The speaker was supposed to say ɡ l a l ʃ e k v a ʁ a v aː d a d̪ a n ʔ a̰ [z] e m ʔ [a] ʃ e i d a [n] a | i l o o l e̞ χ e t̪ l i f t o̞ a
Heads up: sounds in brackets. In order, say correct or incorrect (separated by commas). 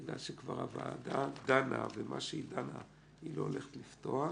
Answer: incorrect, correct, correct